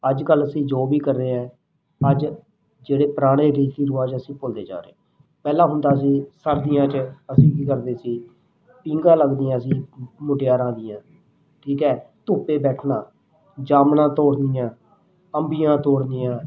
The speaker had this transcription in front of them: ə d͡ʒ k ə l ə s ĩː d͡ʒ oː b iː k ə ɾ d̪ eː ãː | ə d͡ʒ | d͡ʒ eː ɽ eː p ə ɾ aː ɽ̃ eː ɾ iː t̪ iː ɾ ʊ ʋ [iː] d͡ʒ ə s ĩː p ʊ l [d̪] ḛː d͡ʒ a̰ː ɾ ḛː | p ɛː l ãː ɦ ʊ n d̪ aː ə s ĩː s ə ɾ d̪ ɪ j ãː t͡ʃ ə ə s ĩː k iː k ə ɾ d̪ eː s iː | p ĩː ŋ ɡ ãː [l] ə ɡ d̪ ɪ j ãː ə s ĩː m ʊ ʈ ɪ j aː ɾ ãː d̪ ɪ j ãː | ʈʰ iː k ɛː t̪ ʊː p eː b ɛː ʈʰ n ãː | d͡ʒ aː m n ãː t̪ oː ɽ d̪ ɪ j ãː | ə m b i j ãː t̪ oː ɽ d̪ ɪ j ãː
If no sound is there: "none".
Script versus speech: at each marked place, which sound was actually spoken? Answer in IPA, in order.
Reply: aː, d̪, l

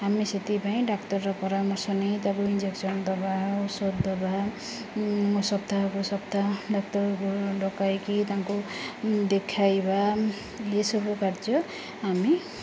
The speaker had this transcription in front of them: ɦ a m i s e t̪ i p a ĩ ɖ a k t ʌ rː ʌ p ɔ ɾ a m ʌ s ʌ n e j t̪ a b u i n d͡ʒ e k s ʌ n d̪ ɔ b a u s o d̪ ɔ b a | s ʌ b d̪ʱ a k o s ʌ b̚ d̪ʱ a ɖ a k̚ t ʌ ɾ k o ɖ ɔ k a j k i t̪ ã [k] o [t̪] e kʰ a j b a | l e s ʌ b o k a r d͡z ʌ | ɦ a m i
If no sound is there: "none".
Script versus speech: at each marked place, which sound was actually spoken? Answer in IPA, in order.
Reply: k, d̪

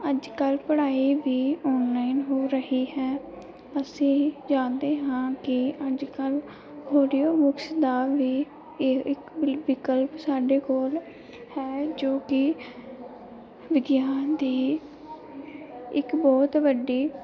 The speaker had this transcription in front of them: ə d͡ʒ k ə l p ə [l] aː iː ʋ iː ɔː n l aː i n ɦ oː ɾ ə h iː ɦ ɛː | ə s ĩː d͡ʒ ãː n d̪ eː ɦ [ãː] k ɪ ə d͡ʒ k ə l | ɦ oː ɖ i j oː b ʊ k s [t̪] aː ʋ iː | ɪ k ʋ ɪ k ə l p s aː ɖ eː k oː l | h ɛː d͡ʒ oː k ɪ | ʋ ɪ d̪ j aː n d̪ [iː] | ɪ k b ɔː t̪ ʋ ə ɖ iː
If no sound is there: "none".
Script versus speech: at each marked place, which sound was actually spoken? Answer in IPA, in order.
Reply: ɽ, ãː, d̪, iː

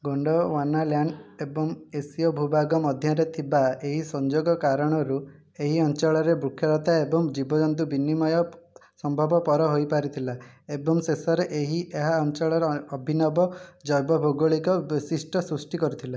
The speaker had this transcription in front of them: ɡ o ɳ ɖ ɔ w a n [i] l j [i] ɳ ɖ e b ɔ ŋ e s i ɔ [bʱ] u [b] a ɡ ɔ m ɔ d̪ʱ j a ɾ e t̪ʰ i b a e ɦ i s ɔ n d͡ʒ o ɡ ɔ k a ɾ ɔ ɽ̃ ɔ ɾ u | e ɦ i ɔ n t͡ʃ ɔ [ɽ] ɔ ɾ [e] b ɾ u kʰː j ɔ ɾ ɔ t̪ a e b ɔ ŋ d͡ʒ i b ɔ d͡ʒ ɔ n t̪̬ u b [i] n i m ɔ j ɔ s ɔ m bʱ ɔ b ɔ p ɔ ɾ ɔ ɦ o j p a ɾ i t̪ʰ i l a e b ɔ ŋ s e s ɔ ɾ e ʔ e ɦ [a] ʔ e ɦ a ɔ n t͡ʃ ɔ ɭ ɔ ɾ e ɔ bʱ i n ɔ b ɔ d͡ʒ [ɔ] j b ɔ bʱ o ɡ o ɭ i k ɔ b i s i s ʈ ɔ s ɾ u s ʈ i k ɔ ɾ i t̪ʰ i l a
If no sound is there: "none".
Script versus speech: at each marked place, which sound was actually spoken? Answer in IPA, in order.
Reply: a, a, bʱ, b, ɭ, e, i, i, ɔ

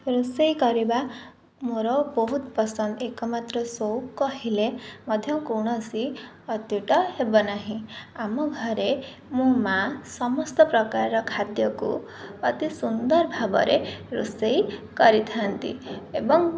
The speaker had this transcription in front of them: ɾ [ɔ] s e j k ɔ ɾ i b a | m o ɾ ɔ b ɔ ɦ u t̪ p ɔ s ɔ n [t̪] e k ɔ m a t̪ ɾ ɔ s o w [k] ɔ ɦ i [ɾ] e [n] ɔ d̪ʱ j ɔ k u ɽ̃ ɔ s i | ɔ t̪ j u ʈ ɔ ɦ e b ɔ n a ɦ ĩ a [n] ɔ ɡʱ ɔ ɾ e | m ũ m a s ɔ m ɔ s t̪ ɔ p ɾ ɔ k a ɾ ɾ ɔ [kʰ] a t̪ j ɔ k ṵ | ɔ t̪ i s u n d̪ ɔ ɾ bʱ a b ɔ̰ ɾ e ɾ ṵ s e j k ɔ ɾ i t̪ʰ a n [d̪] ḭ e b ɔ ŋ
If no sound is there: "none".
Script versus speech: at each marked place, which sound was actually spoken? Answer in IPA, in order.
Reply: u, d̪, k, l, m, m, kʰ, t̪

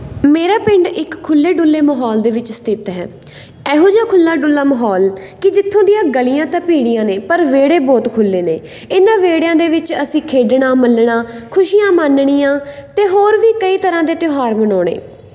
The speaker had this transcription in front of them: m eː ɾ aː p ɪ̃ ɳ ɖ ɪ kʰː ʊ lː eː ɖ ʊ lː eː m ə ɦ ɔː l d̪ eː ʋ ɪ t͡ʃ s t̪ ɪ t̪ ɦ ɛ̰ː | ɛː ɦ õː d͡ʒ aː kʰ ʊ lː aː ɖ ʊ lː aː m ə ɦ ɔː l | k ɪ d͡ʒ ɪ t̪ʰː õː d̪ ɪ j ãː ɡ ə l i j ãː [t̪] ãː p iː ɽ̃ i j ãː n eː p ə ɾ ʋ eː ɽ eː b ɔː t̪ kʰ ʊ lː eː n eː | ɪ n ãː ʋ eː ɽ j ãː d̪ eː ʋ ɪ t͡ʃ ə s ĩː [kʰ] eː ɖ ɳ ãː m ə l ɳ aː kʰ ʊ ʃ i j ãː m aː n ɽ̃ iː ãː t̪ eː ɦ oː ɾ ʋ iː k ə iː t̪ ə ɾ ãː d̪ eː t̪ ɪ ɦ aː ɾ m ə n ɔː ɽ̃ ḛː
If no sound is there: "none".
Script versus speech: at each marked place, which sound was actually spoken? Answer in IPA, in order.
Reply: t̪, kʰ

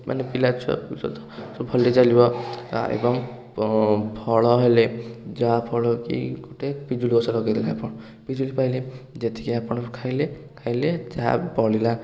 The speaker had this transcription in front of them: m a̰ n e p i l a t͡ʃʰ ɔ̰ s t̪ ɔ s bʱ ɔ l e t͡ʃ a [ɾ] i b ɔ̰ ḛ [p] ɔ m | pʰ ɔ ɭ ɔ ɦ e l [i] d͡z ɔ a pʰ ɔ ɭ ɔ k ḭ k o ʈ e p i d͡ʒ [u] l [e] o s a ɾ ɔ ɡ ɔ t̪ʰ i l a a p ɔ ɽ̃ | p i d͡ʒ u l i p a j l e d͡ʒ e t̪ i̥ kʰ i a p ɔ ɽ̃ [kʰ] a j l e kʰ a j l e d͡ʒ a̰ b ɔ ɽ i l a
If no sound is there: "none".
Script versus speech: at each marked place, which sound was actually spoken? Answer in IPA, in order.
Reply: l, b, e, u, i, kʰ

